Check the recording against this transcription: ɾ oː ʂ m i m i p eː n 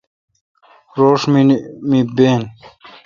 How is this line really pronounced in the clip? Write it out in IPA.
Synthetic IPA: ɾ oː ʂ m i m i b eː n